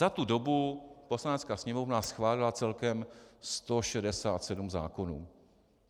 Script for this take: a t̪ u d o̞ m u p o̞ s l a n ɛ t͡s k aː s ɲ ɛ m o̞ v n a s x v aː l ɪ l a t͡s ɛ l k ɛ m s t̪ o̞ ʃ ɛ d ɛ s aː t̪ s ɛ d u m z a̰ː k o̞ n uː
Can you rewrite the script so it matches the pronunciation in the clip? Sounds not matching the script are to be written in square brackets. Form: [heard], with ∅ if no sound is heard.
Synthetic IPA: a t̪ u d o̞ [b] u p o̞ s l a n ɛ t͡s k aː s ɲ ɛ m o̞ v n a s x v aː l ɪ l a t͡s ɛ l k ɛ m s t̪ o̞ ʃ ɛ d ɛ s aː t̪ s ɛ d u m z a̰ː k o̞ n uː